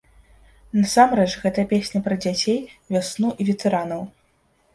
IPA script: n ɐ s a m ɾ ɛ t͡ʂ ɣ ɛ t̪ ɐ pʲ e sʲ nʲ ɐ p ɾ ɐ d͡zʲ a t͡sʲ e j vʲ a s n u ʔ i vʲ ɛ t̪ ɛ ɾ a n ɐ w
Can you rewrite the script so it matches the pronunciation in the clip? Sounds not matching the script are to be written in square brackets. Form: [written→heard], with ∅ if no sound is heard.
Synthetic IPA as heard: n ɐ s a m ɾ ɛ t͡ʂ ɣ ɛ t̪ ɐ pʲ e sʲ nʲ ɐ p ɾ ɐ d͡zʲ a t͡sʲ e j vʲ a s n u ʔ i vʲ ɛ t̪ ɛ ɾ a n ɐ w